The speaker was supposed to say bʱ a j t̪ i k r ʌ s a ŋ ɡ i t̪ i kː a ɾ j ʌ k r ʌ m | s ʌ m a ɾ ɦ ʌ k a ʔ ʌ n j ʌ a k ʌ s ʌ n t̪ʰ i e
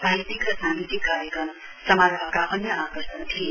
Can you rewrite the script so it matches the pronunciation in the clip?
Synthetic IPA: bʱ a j t̪ i k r ʌ s a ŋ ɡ i t̪ i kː a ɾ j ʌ k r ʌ m | s ʌ m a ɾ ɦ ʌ k a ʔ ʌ n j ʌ a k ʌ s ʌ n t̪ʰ i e